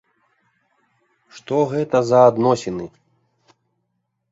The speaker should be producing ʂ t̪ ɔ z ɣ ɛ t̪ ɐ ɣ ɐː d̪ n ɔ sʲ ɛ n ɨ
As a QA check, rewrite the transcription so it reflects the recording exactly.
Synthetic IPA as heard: ʂ t̪ ɔ ɣ ɛ t̪ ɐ z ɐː d̪ n ɔ sʲ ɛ n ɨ